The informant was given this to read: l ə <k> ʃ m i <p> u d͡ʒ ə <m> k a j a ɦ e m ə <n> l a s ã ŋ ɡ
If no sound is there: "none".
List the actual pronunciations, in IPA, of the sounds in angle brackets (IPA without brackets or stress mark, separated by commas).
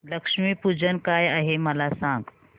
k, p, n, none